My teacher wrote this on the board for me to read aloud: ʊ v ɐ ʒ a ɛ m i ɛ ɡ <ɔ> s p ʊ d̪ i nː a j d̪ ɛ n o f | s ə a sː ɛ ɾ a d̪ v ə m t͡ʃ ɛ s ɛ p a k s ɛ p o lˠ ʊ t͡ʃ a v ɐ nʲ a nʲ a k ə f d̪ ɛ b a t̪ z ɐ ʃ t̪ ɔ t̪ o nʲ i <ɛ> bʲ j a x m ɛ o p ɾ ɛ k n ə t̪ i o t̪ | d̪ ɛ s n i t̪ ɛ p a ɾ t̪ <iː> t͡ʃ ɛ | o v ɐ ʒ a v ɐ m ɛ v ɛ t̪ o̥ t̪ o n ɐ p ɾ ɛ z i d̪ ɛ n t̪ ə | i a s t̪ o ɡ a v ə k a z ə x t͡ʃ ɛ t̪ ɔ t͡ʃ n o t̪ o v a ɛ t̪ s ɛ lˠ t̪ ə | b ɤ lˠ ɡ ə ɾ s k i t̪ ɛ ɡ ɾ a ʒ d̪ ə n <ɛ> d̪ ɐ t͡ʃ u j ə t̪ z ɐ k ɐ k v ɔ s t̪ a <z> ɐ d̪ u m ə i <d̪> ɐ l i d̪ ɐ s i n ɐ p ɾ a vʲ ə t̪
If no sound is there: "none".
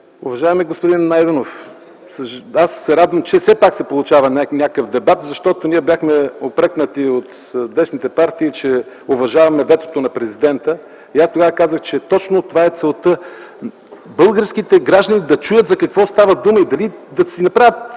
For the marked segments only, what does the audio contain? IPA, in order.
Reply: o, ɛ, iː, i, v, d̪

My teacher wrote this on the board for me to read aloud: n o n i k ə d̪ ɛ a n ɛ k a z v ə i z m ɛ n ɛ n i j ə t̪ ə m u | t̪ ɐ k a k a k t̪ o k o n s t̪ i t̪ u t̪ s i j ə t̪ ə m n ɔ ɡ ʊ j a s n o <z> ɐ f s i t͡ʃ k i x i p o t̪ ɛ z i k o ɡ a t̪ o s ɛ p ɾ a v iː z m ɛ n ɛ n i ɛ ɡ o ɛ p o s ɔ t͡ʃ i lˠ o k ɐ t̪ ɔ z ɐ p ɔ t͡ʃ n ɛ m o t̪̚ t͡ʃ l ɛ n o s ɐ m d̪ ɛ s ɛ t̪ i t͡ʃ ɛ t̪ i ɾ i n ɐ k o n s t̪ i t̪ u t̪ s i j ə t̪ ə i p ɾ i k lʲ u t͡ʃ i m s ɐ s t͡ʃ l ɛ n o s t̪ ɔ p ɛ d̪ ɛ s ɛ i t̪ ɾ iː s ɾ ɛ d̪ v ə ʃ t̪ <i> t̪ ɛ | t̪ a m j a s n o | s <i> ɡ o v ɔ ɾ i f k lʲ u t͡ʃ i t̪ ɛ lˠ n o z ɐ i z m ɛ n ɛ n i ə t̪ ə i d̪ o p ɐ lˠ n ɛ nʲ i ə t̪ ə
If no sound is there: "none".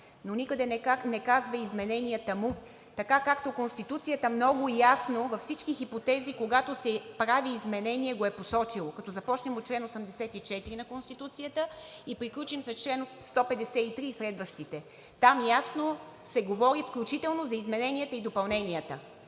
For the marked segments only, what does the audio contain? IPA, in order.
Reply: v, i, ɛ

